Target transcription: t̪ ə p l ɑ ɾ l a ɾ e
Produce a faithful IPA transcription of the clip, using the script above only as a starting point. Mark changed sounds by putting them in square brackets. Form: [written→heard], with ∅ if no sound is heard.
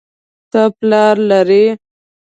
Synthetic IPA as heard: t̪ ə p l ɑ ɾ l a ɾ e